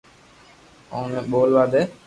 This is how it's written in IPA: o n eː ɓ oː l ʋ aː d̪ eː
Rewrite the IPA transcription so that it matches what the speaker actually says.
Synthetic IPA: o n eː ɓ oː l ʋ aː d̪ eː